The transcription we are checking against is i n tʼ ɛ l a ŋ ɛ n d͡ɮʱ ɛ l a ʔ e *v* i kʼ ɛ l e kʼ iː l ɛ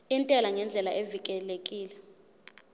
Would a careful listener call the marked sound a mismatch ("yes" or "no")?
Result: no